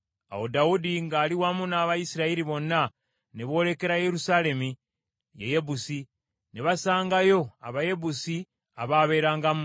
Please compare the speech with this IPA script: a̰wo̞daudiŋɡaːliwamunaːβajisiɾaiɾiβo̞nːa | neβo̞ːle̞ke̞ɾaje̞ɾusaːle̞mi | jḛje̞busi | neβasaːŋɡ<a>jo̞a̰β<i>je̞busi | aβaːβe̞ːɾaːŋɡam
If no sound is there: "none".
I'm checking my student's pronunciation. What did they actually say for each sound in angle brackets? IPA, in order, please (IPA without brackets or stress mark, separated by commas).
a, a